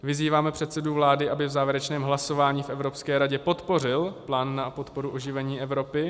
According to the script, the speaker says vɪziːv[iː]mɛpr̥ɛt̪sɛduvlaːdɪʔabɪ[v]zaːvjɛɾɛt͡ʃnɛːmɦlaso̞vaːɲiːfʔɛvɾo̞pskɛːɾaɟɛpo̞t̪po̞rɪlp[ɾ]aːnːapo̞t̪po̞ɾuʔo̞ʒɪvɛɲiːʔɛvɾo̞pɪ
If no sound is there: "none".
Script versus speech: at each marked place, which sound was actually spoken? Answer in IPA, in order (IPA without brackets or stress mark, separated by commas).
aː, v, l